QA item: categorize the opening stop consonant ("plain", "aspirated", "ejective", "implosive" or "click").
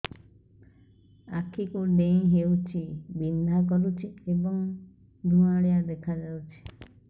aspirated